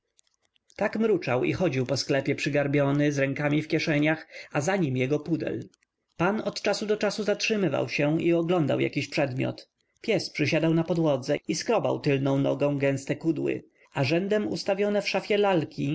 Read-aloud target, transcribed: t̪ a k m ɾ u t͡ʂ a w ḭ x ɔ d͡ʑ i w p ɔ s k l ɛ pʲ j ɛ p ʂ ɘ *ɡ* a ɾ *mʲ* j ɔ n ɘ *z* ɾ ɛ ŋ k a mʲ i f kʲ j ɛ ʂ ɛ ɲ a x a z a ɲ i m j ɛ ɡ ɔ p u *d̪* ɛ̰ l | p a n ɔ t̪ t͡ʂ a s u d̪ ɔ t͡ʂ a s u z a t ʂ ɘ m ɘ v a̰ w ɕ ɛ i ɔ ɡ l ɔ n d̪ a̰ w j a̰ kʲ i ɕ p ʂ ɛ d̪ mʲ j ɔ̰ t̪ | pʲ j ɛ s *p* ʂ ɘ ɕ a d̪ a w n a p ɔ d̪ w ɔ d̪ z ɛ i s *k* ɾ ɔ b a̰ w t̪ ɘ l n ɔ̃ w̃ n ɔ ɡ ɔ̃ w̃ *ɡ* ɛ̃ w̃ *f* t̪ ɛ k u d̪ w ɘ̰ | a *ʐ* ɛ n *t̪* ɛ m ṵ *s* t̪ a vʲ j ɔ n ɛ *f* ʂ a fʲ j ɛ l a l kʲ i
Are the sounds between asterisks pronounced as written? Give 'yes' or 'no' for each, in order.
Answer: yes, no, yes, yes, yes, yes, yes, no, yes, no, yes, yes

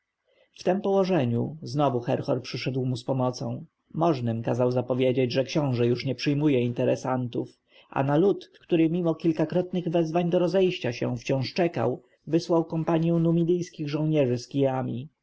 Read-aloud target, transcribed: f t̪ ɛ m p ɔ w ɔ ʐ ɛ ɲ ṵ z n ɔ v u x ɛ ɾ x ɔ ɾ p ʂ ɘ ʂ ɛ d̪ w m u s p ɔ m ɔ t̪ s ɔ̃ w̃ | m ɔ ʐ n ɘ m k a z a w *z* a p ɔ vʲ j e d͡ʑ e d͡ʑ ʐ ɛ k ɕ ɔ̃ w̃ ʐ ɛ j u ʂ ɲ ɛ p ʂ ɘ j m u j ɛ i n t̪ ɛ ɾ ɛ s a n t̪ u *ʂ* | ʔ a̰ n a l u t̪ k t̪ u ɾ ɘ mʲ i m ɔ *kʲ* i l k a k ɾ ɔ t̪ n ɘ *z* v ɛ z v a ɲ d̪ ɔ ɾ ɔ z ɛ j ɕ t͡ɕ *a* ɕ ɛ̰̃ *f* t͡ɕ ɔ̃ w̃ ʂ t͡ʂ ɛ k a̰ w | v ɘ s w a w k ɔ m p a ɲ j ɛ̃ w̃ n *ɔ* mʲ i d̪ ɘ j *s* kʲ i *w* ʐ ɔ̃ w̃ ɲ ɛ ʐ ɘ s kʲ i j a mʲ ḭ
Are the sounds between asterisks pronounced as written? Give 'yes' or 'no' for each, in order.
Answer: yes, no, yes, no, yes, yes, no, yes, no

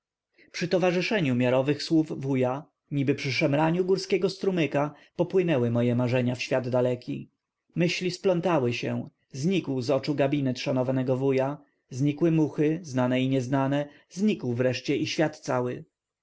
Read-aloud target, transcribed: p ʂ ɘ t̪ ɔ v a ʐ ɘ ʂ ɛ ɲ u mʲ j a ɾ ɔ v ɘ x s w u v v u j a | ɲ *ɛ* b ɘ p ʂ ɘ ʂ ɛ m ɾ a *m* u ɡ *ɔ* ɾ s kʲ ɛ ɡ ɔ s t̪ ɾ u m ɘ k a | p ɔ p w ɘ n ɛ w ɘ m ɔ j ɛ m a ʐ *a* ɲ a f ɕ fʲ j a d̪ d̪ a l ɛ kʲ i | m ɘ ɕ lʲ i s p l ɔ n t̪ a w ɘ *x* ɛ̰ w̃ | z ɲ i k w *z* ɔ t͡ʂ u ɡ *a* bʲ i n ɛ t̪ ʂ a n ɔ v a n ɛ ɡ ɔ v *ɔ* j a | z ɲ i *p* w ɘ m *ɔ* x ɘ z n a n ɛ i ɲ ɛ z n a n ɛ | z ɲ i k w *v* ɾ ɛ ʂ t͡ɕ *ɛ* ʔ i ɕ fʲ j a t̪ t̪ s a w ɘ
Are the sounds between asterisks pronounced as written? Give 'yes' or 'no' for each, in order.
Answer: no, no, no, no, no, yes, yes, no, no, no, yes, yes

